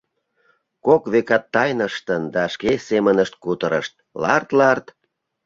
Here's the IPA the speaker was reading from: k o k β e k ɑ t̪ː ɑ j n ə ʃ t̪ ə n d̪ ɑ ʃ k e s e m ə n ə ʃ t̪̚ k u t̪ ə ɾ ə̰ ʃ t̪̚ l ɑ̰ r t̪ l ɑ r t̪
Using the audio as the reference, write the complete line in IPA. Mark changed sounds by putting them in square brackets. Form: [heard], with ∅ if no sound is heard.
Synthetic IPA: k o k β e k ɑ t̪ː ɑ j n ə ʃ t̪ ə n d̪ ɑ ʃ k e s e m ə n ə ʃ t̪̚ k u t̪ ə ɾ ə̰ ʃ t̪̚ l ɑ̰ r t̪ l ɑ r t̪